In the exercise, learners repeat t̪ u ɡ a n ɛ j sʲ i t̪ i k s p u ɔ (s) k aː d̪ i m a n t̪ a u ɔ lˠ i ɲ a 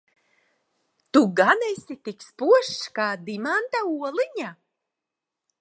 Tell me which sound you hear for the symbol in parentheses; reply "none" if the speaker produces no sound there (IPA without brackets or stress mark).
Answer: ʃ